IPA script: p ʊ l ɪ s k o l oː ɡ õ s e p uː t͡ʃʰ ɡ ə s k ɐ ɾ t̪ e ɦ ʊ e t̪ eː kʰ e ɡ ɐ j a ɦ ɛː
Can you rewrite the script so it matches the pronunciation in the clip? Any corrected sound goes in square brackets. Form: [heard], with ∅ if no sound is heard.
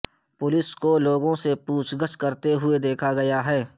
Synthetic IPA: p ʊ l ɪ s k o l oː ɡ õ s e p uː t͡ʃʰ ɡ ə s k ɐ ɾ t̪ e ɦ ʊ e [d̪] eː kʰ [a] ɡ ɐ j a ɦ ɛː